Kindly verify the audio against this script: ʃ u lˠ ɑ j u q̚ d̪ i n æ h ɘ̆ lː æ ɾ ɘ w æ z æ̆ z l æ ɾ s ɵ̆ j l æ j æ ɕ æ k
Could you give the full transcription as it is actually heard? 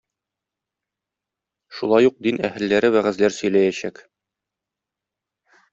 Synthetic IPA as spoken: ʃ u lˠ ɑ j u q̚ d̪ i n æ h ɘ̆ lː æ ɾ ɘ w æ ʁ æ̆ z l æ ɾ s ɵ̆ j l æ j æ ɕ æ k